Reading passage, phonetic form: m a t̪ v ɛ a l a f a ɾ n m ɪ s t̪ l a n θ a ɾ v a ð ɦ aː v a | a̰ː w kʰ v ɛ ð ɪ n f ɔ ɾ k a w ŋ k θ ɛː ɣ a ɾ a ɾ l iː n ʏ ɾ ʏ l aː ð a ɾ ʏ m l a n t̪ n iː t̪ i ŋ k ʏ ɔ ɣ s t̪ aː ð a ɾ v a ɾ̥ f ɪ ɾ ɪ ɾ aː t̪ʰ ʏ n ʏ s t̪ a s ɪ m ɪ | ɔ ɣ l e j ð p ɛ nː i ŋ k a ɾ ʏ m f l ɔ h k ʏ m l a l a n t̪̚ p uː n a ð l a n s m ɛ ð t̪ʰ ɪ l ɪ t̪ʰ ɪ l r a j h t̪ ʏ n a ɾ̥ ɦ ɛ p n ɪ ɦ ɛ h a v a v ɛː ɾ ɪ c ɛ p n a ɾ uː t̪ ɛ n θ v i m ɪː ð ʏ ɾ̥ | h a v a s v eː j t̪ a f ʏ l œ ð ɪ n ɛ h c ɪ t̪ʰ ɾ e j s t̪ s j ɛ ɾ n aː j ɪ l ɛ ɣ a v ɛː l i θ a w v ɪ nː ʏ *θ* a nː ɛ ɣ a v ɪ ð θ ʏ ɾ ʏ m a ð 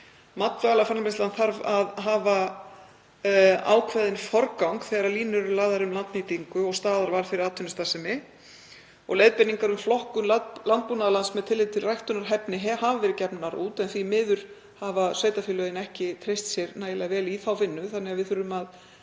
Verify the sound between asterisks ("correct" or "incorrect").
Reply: correct